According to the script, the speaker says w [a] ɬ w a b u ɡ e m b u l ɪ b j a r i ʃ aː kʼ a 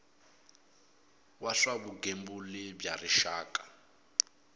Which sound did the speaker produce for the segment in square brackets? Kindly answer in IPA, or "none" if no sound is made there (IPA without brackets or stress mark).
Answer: a